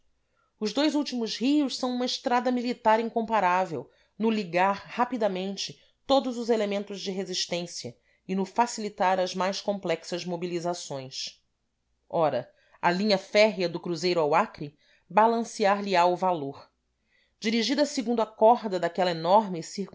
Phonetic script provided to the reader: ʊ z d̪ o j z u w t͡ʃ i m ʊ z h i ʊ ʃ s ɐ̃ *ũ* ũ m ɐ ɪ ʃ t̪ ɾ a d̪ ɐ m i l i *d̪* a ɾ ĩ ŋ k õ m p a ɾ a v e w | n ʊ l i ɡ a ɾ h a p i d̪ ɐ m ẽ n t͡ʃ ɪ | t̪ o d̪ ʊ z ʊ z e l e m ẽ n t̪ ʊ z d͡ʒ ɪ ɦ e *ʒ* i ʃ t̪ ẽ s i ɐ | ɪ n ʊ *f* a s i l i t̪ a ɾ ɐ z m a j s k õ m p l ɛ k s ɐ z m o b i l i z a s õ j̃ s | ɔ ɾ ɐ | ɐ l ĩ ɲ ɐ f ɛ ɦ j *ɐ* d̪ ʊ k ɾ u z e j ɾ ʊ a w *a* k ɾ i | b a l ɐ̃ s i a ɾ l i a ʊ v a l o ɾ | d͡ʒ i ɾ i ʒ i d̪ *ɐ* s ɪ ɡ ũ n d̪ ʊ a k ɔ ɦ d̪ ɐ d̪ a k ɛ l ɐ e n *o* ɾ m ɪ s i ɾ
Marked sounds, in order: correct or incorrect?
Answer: incorrect, incorrect, incorrect, correct, correct, correct, correct, incorrect

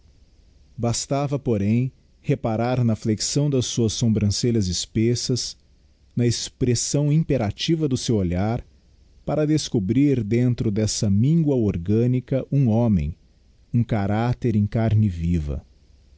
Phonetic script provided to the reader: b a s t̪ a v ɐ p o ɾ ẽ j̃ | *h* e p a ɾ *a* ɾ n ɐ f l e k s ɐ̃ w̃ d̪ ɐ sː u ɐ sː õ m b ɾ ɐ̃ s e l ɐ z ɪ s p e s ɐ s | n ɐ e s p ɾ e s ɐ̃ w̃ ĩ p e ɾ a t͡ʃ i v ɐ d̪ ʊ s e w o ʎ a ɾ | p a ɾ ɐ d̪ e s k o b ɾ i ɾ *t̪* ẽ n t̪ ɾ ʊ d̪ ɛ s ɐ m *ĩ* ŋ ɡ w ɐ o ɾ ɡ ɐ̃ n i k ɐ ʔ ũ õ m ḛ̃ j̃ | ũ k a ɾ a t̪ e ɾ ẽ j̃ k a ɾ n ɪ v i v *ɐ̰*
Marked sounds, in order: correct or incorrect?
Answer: correct, correct, incorrect, correct, correct

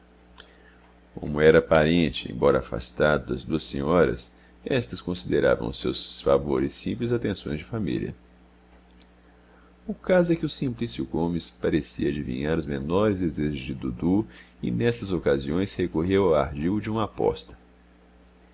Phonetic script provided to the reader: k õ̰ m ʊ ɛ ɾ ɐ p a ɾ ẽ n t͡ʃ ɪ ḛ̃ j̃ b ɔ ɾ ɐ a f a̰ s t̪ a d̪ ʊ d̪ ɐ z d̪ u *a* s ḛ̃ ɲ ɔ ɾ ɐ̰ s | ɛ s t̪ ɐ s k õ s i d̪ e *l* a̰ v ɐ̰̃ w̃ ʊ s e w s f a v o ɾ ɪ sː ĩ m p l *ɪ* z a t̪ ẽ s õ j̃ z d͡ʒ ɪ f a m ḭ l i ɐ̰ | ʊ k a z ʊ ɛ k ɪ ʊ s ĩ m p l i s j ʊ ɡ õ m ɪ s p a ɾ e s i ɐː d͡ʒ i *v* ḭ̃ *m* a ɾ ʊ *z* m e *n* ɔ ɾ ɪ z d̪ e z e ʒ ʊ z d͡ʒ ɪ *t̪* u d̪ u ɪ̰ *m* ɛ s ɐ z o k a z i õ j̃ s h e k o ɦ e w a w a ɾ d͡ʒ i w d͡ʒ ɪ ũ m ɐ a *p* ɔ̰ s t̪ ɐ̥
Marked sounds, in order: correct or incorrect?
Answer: incorrect, incorrect, correct, correct, incorrect, correct, correct, incorrect, incorrect, correct

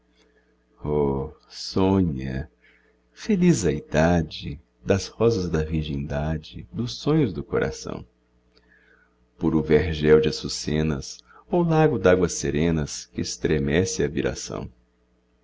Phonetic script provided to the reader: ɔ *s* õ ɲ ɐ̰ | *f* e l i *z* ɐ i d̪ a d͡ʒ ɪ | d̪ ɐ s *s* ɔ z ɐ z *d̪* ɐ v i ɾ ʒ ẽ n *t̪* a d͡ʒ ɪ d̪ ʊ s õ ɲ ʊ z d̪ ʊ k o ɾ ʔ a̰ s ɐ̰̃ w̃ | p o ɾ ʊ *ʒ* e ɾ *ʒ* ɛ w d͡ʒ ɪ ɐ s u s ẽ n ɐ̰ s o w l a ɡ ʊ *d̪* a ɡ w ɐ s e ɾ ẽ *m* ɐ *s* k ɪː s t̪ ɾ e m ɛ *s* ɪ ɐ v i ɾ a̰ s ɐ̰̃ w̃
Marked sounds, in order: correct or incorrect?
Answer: correct, correct, correct, incorrect, correct, incorrect, incorrect, correct, correct, incorrect, correct, correct

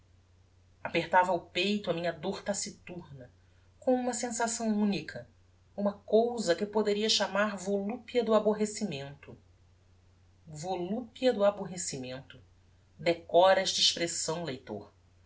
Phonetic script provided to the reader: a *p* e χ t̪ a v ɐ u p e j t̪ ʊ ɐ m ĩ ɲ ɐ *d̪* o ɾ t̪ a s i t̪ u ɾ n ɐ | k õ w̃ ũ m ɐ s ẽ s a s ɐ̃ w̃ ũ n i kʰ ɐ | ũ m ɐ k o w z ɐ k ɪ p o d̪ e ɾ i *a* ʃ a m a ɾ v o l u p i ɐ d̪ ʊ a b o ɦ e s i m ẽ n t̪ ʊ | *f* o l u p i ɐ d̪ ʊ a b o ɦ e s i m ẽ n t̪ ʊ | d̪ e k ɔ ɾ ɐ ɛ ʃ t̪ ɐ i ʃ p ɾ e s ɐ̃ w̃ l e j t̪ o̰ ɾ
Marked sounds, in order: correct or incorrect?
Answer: correct, correct, incorrect, incorrect

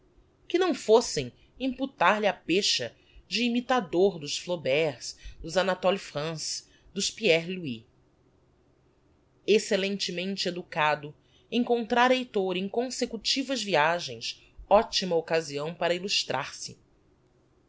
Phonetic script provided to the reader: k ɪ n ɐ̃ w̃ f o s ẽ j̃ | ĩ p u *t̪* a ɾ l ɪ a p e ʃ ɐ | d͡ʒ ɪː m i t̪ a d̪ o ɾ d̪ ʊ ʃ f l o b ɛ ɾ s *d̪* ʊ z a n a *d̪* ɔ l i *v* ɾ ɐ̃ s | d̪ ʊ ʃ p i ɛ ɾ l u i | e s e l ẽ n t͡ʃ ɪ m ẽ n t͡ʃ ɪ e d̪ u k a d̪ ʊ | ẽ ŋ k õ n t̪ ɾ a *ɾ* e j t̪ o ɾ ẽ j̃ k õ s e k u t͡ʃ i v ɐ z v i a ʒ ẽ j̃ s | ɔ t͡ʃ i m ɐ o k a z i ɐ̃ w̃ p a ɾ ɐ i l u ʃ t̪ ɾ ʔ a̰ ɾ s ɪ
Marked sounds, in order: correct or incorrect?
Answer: correct, correct, incorrect, incorrect, correct

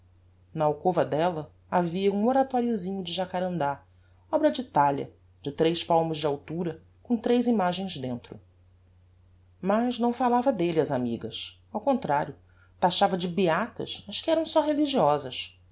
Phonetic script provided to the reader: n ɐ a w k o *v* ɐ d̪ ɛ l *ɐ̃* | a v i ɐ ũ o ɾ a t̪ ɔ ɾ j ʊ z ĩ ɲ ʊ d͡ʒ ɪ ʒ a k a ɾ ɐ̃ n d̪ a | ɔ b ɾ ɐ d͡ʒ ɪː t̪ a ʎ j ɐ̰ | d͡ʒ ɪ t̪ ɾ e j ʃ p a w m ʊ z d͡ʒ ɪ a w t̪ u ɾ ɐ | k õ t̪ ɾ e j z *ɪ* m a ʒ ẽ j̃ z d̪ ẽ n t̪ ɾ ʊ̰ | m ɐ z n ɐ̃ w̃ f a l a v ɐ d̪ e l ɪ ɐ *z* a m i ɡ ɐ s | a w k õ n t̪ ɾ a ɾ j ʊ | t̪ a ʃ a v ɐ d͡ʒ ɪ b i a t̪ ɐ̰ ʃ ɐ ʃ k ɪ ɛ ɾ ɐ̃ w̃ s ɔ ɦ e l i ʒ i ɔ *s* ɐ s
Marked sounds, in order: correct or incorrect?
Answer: correct, incorrect, incorrect, correct, incorrect

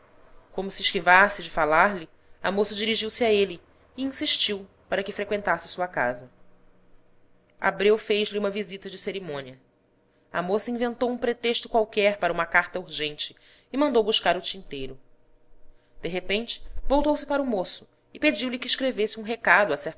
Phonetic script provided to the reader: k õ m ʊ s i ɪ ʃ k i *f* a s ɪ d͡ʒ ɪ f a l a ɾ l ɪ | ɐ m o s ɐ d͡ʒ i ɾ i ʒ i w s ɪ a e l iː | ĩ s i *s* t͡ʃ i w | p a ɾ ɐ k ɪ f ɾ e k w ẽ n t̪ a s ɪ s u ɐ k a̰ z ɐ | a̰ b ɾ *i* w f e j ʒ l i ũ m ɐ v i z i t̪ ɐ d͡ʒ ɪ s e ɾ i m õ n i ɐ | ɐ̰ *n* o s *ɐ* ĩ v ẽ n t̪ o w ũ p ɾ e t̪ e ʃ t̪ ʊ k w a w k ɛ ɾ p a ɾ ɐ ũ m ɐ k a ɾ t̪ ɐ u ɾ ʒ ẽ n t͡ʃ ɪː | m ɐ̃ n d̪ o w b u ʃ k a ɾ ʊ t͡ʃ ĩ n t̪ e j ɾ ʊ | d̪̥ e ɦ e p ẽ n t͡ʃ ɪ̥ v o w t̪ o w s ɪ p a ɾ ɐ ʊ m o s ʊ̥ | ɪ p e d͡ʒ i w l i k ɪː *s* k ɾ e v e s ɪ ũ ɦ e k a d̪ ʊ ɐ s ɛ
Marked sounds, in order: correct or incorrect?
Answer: incorrect, incorrect, incorrect, incorrect, correct, incorrect

